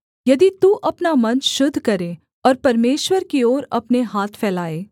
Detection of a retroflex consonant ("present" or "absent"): absent